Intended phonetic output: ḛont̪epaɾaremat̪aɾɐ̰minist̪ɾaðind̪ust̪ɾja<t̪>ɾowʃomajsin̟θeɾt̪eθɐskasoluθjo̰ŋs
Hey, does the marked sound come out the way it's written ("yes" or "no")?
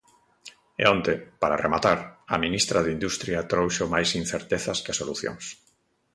yes